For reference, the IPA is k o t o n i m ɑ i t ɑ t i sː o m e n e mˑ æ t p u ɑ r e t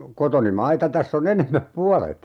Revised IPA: k o t o n i m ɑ i t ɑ t æ sː o n e n e mˑ æ p p u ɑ l e t